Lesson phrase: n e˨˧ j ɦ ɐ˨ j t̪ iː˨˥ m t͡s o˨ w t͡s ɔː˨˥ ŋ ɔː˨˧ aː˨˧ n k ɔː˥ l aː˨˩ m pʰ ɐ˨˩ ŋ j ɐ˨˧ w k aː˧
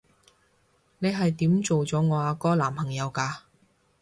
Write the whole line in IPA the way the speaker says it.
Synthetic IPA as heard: n e˨˧ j ɦ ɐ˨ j t̪ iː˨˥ m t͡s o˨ w t͡s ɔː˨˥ ŋ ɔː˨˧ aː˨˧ k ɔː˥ l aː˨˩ m pʰ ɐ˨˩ ŋ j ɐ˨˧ w k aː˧